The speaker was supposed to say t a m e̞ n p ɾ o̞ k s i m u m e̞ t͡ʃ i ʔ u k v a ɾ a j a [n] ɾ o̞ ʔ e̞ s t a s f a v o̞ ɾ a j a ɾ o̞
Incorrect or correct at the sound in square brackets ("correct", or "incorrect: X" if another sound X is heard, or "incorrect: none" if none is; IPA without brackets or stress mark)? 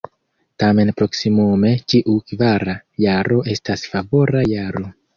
incorrect: none